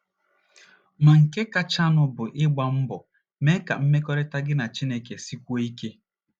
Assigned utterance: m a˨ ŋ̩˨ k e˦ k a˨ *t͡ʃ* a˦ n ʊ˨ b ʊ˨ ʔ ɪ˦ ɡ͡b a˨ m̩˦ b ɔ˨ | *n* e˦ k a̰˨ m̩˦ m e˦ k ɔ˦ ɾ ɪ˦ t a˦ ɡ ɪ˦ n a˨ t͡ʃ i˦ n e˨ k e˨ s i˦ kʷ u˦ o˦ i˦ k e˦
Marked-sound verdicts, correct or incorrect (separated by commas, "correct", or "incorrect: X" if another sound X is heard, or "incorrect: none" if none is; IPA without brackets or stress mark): correct, incorrect: m